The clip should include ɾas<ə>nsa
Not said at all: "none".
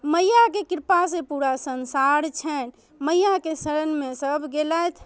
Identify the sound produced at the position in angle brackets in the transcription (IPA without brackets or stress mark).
ə